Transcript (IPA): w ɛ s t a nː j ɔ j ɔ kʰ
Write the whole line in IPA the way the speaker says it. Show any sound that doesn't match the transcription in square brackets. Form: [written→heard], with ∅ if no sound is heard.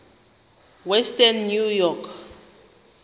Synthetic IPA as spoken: w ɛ s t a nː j [ɔ→u] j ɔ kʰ